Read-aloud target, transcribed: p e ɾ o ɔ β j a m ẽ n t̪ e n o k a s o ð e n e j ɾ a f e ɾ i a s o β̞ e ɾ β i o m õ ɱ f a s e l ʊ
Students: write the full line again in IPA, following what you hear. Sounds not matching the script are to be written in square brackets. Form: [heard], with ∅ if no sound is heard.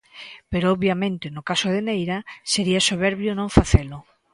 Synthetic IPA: p e ɾ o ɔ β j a m ẽ n t̪ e n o k a s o ð e n e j ɾ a [s] e ɾ i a s o β̞ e ɾ β [j] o [n] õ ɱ f a [θ] e l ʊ